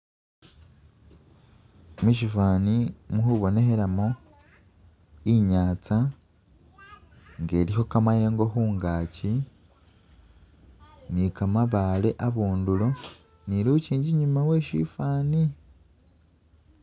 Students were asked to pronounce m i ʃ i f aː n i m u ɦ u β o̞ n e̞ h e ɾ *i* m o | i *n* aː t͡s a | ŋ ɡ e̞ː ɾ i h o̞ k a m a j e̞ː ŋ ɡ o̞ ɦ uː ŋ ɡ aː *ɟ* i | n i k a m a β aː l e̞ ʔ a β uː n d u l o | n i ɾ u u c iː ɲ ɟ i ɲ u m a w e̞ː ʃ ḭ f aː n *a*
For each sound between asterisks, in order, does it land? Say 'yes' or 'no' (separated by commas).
no, no, no, no